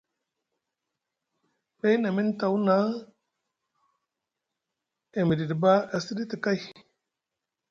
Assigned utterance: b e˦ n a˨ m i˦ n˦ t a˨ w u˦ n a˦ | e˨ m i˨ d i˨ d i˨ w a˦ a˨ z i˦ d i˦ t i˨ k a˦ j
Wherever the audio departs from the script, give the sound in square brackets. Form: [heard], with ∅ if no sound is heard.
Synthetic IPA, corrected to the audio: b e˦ n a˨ m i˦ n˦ t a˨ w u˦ n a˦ | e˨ m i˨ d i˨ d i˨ [b] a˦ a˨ [s] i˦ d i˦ t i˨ k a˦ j